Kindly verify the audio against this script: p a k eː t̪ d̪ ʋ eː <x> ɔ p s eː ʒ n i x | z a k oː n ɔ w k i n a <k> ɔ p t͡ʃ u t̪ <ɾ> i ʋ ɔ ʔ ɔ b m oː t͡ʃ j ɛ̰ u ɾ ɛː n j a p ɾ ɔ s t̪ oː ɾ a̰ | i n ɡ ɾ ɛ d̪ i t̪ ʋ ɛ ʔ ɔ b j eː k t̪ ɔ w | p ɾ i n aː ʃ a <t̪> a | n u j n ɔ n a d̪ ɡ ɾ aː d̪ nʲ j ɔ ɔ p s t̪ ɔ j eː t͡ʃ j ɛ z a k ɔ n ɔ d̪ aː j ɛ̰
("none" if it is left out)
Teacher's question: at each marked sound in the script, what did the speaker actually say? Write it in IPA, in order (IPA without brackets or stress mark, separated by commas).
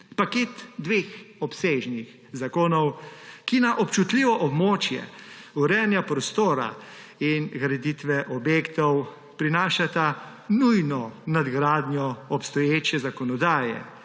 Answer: x, ʔ, l, t̪